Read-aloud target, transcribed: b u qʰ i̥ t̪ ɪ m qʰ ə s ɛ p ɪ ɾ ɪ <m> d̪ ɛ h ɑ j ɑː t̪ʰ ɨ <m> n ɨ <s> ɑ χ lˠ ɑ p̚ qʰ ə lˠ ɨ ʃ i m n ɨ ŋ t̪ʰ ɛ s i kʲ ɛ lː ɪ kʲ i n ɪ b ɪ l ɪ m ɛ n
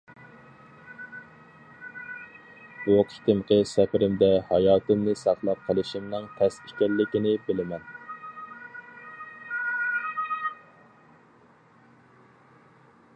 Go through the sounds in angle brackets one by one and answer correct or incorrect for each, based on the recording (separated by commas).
correct, correct, correct